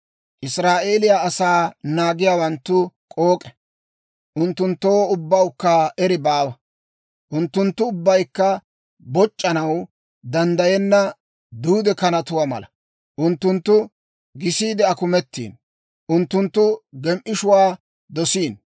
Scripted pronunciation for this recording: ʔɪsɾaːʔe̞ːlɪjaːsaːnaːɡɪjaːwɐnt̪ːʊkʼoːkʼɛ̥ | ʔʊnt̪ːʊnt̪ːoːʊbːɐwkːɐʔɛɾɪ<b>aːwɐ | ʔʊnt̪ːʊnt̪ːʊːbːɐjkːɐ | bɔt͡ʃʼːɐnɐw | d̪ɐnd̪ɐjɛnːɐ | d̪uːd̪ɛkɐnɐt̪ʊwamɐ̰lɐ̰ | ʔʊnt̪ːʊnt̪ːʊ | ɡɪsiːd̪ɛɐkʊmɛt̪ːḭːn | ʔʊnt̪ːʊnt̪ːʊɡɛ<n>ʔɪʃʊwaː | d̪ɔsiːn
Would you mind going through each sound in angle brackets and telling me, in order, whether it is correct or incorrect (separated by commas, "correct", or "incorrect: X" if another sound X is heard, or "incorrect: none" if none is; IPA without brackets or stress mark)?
correct, incorrect: m